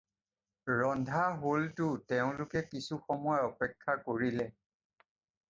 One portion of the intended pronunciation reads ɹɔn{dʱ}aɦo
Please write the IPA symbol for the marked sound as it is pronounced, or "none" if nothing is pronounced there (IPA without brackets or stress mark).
dʱ